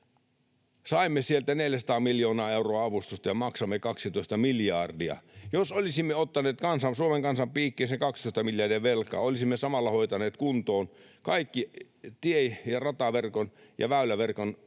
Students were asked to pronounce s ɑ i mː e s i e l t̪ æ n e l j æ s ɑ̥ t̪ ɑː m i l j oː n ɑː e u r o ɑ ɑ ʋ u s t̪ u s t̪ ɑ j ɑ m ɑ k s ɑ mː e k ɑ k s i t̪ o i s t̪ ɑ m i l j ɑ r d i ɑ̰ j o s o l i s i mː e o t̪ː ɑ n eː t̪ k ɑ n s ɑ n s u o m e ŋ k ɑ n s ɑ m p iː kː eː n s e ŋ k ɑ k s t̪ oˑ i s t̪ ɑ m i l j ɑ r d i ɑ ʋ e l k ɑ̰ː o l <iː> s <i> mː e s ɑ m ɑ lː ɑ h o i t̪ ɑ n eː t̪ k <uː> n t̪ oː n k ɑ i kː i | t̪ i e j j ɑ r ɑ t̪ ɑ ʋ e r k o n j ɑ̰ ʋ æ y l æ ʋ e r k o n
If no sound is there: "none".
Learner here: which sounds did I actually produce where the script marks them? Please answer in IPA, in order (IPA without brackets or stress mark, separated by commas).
i, i, u